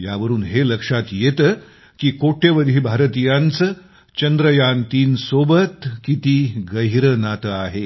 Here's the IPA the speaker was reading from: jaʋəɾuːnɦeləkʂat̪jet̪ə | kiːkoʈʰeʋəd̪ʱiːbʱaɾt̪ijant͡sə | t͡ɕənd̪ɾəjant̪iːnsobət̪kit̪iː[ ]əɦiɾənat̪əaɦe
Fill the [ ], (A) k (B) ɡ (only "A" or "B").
B